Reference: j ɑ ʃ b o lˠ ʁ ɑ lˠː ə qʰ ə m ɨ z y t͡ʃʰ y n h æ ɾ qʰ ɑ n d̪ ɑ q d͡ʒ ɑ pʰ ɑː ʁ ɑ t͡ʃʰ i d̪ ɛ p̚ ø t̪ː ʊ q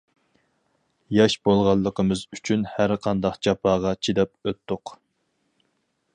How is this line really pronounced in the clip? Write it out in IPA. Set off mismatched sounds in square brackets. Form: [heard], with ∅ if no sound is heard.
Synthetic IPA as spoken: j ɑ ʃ b o lˠ ʁ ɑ lˠː ə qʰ ə m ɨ z y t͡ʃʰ y n h æ ɾ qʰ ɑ n d̪ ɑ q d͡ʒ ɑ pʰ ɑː ʁ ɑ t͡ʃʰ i d̪ ɛ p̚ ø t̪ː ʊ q